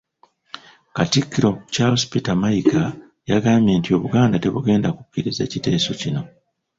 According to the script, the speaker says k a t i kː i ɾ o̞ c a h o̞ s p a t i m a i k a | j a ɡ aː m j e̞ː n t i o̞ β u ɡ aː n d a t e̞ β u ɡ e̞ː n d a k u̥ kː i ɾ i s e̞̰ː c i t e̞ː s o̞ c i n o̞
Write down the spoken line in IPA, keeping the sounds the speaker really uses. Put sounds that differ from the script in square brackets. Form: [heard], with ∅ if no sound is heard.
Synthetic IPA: k a t i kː i ɾ o̞ c a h o̞ s p [i] t [a] m a i k a | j a ɡ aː m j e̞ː n t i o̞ β u ɡ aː n d a t e̞ β u ɡ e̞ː n d a k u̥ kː i ɾ i [z] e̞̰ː c i t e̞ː s o̞ c i n o̞